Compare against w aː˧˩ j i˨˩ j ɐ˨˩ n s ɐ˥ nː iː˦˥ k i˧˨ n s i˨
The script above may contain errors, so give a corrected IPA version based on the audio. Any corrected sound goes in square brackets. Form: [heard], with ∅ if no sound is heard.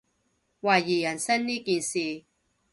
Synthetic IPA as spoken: w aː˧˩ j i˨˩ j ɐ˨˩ n s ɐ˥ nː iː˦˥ k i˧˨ n s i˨